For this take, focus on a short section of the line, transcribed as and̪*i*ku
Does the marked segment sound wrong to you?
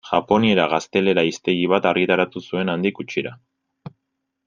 no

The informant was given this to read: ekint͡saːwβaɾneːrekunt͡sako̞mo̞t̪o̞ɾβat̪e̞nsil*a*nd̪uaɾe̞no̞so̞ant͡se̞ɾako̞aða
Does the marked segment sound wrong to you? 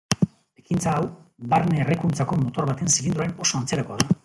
yes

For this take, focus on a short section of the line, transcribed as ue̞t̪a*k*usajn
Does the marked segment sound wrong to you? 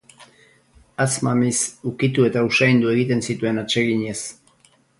yes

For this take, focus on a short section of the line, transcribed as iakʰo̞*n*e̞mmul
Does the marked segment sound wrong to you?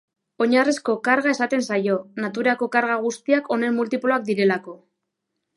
no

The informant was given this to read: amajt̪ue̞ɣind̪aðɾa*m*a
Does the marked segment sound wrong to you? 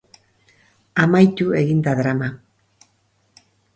no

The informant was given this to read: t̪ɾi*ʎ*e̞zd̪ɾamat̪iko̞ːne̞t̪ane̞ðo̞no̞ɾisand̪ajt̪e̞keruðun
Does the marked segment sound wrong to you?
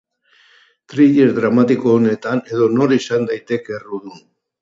no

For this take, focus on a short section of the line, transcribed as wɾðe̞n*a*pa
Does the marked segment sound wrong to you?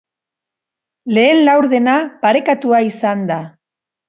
no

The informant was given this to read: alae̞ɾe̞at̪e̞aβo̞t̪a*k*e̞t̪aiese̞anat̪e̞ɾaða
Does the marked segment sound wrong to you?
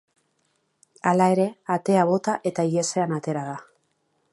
yes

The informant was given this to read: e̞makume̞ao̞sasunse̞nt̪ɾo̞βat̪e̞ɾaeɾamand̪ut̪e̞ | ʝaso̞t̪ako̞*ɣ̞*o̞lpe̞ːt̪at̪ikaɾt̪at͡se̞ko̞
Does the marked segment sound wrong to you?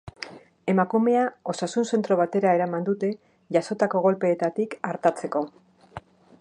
no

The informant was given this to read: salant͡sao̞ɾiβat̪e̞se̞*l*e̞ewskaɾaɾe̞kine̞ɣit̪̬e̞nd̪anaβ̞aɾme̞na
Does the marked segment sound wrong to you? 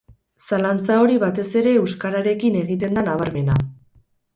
yes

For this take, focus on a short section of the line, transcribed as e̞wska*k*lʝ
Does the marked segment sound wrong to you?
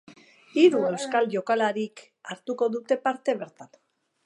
yes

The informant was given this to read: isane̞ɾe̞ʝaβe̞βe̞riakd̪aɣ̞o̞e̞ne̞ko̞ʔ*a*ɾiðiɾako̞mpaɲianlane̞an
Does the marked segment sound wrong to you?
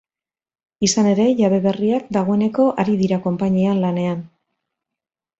no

